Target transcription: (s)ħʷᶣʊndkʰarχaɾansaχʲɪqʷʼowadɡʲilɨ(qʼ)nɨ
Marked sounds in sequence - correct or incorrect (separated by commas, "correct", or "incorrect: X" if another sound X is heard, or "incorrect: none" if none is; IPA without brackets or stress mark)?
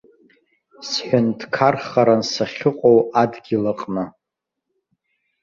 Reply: correct, correct